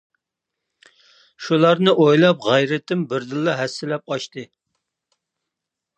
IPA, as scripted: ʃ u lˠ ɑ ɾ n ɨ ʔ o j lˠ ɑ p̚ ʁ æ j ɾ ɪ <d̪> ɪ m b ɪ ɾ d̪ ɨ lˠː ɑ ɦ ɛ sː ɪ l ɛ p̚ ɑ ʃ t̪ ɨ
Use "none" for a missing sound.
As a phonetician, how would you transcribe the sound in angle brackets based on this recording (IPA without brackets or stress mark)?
t̪